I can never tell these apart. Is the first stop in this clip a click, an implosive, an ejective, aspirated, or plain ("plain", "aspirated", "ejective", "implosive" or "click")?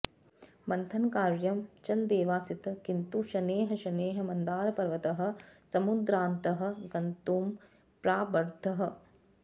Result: aspirated